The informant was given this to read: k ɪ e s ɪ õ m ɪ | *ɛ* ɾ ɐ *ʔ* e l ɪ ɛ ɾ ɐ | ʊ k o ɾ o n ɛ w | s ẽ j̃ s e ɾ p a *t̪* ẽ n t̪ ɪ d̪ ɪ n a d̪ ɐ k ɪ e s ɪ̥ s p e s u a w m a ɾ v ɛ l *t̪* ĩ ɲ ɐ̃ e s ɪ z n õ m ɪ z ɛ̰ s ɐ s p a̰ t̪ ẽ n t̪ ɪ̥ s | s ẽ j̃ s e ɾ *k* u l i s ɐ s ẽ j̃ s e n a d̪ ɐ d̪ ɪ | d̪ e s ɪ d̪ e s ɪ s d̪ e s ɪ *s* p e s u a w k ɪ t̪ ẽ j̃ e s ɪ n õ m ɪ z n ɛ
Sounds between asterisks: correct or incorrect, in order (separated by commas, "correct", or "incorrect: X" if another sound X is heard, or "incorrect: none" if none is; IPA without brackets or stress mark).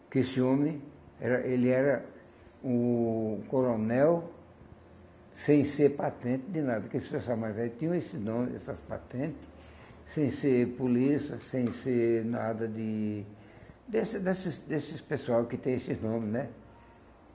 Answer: correct, correct, correct, correct, incorrect: p, correct